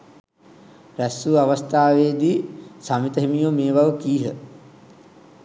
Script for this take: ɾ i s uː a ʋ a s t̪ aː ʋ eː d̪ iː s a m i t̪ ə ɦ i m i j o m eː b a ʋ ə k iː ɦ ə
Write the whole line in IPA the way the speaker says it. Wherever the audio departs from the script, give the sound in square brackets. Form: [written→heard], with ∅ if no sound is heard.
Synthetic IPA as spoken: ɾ [i→æ] s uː a ʋ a s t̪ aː ʋ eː d̪ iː s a m i t̪ ə ɦ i m i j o m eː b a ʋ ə k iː ɦ ə